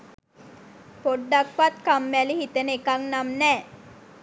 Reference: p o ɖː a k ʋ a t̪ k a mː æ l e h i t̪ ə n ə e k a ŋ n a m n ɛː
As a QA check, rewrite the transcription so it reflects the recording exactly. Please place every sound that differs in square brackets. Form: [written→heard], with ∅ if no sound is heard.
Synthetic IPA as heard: p o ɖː a k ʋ a t̪ k a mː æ l [e→i] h i t̪ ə n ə e k a ŋ n a m n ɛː